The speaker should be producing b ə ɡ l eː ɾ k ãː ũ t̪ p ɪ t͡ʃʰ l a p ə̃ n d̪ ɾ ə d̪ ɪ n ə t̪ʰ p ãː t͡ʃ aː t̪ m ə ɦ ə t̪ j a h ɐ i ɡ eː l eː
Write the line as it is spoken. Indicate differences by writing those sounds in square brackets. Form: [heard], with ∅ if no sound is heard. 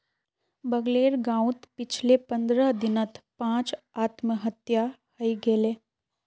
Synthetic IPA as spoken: b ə ɡ l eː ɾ [ɡ] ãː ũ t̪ p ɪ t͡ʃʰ l [e] p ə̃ n d̪ ɾ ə d̪ ɪ n ə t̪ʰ p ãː t͡ʃ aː t̪ m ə ɦ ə t̪ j a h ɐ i ɡ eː l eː